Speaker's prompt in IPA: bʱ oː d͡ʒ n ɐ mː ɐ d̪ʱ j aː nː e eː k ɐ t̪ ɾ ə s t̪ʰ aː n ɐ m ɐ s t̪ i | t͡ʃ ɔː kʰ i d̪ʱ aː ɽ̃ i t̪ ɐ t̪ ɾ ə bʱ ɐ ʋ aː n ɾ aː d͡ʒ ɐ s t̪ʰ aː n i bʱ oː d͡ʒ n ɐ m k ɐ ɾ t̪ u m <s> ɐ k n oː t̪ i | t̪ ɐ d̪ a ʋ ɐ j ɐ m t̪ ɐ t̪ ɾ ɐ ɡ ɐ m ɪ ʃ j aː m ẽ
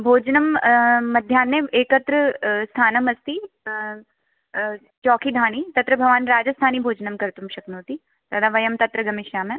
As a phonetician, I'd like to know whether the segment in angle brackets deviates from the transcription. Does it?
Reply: yes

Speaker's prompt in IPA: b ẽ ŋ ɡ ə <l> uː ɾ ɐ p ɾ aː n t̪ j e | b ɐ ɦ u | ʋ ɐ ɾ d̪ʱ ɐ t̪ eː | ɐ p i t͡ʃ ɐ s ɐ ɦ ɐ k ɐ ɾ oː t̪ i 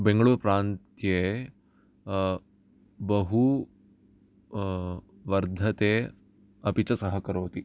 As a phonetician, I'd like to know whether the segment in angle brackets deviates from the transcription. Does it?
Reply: yes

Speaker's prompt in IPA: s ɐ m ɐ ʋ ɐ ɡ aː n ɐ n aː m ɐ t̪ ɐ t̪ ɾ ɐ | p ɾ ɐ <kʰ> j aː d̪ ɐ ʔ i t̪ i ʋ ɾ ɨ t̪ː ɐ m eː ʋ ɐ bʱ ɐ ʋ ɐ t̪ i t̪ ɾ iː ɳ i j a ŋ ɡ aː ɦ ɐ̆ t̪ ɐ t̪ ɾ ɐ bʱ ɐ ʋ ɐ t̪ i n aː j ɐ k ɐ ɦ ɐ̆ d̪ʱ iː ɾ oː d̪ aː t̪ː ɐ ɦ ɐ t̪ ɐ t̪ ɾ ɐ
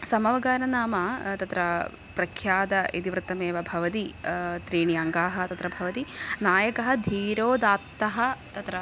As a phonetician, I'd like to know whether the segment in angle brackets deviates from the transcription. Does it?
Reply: no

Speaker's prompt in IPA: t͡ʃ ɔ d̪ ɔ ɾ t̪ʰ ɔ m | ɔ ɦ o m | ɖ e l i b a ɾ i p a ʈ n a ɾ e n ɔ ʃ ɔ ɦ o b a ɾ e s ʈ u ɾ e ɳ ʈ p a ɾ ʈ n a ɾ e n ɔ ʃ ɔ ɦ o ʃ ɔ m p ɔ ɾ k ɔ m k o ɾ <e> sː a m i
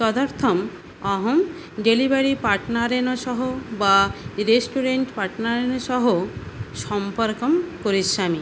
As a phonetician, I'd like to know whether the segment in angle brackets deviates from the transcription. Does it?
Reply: yes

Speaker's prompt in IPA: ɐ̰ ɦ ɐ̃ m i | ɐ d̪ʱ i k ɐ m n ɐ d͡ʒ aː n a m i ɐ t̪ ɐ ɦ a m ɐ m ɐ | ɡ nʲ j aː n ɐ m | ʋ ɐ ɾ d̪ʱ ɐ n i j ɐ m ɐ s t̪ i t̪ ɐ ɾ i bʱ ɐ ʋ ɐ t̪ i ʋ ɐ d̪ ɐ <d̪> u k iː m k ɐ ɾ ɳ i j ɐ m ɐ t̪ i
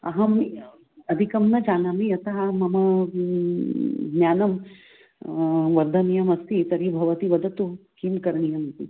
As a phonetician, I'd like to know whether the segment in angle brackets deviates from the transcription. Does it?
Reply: yes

